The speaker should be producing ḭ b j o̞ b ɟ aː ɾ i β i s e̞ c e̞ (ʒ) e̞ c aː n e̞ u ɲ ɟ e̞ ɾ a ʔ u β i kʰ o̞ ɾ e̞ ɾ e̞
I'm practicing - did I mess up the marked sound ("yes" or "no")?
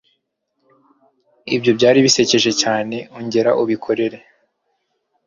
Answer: no